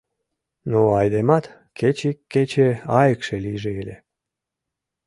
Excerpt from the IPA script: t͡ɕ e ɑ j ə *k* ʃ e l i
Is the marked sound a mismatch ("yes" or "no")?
no